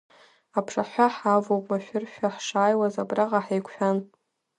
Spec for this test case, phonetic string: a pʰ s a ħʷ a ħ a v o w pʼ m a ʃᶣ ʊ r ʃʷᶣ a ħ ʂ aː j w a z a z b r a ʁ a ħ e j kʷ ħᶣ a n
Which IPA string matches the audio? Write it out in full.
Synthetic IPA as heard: a pʰ ʂ a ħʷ a ħ a v o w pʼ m a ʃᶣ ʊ r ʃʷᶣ a ħ ʂ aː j w a z a b r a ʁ a ħ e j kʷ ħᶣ a n